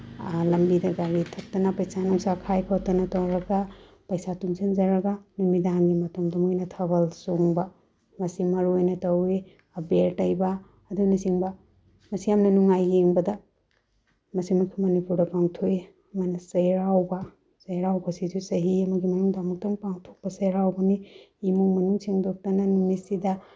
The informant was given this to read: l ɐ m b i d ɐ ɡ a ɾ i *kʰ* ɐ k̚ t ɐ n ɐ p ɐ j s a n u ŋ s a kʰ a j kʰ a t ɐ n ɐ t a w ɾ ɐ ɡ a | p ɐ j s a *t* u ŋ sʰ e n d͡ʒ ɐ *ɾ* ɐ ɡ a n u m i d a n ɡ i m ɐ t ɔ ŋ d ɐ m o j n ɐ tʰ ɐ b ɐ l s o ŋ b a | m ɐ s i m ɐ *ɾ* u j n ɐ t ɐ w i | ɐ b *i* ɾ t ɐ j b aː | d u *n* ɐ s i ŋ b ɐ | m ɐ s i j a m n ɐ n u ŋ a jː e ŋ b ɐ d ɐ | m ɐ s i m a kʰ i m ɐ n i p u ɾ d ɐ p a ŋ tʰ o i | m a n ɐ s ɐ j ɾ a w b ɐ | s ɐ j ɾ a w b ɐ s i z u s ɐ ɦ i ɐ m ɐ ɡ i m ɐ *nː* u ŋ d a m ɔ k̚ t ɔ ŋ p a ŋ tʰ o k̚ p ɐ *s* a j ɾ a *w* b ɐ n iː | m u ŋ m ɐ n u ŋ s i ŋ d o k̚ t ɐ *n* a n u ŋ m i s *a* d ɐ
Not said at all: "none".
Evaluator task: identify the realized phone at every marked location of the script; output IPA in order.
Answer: tʰ, t, ɾ, ɾ, e, n, n, s, w, n, i

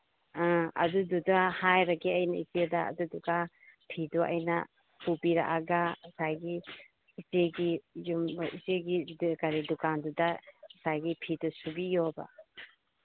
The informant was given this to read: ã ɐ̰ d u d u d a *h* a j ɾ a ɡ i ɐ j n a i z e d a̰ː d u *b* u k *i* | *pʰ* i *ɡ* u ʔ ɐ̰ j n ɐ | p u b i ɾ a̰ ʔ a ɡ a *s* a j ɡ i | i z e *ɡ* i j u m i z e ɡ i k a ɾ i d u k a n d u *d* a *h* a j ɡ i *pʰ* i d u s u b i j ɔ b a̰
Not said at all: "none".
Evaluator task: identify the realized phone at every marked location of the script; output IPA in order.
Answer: h, d, a, pʰ, d, s, ɡ, d, s, pʰ

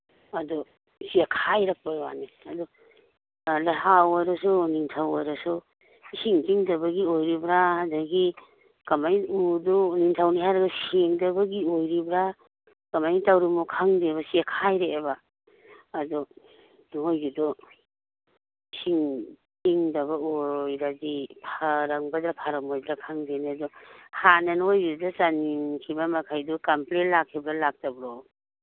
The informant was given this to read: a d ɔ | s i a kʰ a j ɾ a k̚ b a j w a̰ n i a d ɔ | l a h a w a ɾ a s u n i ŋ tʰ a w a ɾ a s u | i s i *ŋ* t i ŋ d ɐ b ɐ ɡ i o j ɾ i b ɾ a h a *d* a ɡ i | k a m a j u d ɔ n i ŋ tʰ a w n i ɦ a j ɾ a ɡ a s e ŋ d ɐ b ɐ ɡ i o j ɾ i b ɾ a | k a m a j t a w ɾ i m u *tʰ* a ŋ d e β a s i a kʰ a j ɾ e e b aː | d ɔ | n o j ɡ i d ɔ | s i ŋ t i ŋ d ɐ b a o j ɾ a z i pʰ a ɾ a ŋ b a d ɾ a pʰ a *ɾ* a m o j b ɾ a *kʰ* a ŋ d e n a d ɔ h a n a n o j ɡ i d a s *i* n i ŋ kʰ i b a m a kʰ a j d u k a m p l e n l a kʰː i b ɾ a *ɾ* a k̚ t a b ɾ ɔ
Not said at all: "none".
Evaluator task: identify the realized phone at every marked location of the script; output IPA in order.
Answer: ŋ, d, kʰ, ɾ, kʰ, a, l

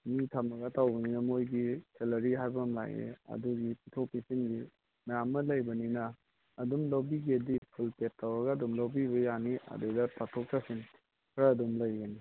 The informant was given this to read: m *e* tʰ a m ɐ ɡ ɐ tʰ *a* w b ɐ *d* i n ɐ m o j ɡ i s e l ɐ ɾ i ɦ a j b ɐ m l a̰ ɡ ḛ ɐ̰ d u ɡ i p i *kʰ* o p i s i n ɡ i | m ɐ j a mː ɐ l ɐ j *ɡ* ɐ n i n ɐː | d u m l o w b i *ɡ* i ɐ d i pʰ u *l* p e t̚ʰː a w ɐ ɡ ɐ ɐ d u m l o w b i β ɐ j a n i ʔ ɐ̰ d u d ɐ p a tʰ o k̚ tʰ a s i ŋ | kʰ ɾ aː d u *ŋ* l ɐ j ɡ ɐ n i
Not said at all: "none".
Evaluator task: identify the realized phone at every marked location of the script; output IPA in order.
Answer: i, a, n, tʰ, b, ɡ, l, m

